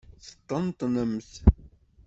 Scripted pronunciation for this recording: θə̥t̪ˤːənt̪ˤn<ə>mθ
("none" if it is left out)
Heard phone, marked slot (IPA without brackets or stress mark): ə